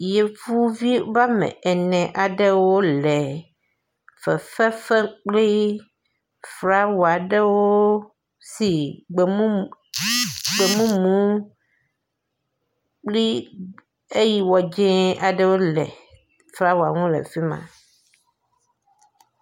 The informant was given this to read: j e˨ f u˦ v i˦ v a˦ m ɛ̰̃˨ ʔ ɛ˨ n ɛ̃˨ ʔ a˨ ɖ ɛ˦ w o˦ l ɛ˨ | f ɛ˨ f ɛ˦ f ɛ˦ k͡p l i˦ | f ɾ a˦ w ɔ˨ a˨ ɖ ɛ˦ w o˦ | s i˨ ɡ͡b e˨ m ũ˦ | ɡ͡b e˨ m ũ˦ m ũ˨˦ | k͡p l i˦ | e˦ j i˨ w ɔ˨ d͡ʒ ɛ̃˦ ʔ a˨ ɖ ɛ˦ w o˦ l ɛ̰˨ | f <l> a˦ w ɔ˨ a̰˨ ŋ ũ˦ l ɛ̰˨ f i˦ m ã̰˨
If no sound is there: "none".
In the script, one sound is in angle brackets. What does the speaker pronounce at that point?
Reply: ɾ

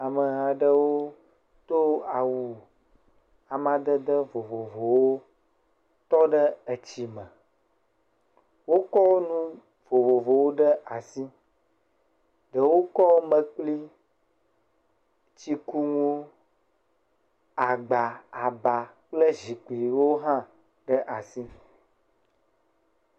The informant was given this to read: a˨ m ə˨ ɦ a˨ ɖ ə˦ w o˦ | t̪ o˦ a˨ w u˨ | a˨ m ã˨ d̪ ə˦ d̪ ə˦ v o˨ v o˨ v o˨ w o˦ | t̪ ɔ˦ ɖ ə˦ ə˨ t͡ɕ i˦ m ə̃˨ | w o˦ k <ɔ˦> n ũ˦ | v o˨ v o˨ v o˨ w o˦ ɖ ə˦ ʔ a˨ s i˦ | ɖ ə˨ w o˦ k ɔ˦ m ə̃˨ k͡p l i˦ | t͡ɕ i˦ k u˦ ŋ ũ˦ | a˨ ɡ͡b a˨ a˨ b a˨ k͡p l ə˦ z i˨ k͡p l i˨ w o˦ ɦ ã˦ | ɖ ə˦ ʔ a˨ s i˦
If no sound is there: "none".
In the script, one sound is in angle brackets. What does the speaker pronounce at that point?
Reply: ɔ˦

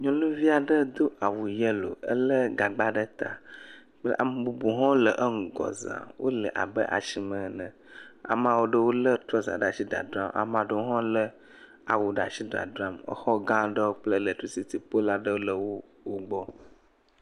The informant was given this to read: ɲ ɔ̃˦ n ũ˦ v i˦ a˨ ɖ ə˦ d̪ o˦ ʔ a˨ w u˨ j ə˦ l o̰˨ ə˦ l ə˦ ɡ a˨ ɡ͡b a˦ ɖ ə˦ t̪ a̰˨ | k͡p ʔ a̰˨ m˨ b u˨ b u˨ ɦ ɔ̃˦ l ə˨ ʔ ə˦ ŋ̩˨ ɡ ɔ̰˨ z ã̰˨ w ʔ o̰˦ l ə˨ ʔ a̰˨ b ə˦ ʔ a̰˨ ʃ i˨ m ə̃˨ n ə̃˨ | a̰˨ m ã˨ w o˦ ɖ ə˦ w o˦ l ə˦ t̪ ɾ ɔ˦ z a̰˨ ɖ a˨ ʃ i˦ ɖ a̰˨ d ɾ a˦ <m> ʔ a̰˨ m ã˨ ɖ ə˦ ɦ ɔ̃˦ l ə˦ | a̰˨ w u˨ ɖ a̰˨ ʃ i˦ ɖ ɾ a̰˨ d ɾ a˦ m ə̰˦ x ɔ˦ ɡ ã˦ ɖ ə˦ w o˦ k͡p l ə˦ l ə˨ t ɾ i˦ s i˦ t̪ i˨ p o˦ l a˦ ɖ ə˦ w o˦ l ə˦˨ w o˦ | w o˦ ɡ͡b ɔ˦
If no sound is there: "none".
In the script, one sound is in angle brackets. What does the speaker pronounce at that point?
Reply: m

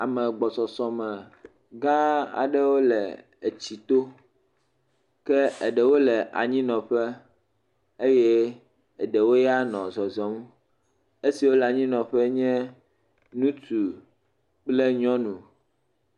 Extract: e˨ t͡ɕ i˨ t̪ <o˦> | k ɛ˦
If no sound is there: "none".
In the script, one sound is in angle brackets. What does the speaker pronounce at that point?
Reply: o˦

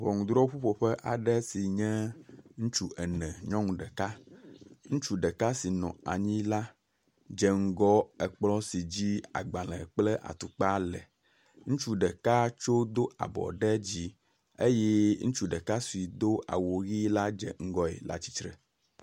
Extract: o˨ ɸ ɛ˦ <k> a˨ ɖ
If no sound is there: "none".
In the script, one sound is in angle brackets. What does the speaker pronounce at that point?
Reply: ʔ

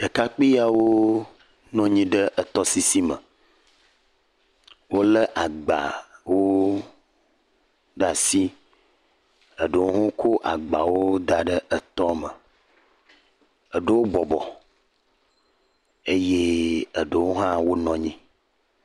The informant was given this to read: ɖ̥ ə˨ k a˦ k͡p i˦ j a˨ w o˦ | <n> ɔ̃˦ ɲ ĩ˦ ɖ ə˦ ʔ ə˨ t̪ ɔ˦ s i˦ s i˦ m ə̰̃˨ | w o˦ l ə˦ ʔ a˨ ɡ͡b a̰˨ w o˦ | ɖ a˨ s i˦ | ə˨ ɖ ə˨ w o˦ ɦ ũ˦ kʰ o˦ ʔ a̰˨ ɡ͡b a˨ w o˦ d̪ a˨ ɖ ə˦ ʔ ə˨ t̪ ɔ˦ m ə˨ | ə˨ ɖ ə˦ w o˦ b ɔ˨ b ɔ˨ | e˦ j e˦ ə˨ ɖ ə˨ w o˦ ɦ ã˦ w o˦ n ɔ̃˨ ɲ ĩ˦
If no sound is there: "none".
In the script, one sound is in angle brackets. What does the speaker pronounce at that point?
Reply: n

